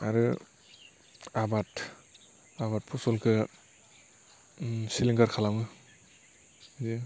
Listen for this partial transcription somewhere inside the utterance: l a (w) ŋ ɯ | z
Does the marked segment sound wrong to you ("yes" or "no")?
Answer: no